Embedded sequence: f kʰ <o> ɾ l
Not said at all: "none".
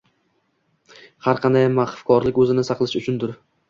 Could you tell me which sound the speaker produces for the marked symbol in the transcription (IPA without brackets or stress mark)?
ɒ